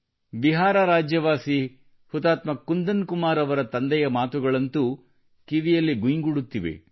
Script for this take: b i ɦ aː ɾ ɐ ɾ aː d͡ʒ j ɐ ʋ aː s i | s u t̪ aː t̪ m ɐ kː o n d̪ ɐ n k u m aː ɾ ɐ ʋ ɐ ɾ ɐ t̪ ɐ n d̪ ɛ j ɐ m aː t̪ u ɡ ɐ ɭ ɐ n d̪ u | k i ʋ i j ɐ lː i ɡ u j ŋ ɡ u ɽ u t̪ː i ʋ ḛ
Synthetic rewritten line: b i ɦ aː ɾ ɐ ɾ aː d͡ʒ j ɐ ʋ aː s i | h u t̪ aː t̪ m ɐ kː u n d̪ ɐ n k u m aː ɾ ɐ ʋ ɐ ɾ ɐ t̪ ɐ n d̪ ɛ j ɐ m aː t̪ u ɡ ɐ ɭ ɐ n t̪ u | k i ʋ i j ɐ lː i ɡ u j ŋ ɡ u ɽ u t̪ː i ʋ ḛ